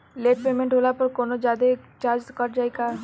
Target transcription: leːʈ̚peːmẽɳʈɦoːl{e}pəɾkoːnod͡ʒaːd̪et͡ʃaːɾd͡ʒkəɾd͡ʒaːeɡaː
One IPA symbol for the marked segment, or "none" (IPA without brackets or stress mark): a